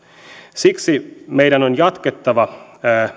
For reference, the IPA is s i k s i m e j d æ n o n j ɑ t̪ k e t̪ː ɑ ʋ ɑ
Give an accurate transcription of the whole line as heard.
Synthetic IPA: s i k s i m e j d æ n o n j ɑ t̪ k e t̪ː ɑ ʋ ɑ